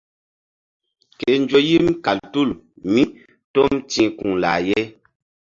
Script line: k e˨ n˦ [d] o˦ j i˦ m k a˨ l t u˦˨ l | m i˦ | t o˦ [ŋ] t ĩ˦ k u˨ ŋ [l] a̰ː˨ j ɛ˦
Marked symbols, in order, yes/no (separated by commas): no, no, yes